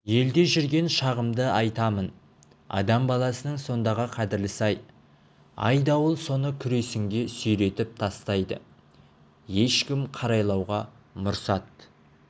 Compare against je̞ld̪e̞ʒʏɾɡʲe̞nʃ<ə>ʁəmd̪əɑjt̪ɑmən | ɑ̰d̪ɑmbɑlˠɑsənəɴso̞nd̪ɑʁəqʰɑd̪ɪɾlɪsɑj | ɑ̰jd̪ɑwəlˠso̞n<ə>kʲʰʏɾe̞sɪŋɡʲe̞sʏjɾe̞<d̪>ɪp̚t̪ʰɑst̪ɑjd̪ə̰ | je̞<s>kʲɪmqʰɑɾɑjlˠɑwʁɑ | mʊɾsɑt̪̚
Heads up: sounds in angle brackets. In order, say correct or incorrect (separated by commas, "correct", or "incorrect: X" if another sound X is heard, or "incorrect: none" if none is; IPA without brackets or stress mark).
incorrect: ɑ, correct, incorrect: t̪, incorrect: ʃ